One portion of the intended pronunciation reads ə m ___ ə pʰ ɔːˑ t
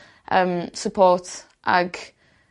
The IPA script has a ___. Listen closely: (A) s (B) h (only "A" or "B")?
A